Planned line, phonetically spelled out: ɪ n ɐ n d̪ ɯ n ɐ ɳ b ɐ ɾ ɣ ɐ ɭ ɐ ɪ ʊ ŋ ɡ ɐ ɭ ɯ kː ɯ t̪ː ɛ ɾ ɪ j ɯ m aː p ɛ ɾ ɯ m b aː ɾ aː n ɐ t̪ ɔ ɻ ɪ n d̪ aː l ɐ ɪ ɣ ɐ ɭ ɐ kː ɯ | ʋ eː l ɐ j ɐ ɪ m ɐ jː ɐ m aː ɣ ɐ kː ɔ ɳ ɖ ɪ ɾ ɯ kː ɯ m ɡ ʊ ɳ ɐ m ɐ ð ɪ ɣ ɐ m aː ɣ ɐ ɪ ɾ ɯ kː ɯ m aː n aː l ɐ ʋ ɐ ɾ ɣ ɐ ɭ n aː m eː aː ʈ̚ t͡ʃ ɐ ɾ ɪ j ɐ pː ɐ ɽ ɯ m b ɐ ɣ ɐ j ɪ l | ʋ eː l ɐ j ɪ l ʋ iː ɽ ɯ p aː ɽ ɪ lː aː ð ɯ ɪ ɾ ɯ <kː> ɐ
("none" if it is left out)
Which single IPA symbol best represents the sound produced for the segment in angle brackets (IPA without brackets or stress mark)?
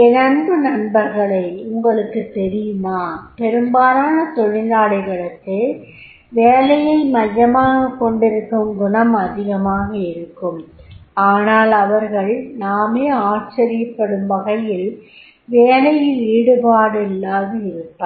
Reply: pː